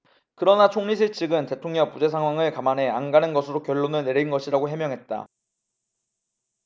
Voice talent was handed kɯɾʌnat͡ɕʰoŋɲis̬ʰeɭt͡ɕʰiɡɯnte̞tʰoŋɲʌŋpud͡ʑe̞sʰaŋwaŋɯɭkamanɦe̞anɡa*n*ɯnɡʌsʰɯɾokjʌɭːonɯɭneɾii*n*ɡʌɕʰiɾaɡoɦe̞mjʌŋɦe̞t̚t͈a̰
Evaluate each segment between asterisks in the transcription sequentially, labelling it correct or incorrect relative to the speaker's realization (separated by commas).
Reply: correct, correct